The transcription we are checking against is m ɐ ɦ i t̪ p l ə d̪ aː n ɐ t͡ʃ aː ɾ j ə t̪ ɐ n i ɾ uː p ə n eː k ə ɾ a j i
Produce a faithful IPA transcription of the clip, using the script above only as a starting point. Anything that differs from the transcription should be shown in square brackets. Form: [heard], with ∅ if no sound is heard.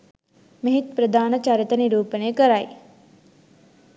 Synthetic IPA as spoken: m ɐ ɦ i t̪ p [ɾ] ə d̪ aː n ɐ t͡ʃ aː ɾ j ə t̪ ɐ n i ɾ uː p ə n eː k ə ɾ a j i